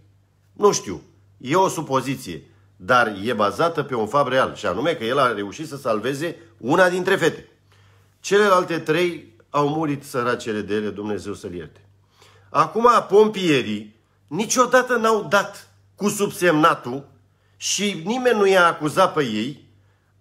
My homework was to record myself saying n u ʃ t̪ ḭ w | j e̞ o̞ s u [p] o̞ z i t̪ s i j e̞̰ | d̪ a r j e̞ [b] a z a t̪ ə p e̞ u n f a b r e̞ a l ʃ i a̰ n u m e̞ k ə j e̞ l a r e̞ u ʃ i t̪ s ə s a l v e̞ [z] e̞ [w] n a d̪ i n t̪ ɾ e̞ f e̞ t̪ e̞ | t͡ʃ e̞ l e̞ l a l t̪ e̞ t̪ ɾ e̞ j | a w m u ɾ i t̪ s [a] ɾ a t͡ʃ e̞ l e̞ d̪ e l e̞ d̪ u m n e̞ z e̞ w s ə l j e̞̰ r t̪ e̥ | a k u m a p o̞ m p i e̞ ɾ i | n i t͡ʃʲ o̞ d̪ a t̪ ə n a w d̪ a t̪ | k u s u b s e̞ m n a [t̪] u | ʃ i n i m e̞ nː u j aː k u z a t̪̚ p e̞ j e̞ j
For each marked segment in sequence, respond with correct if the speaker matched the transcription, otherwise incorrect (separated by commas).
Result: correct, correct, correct, incorrect, incorrect, correct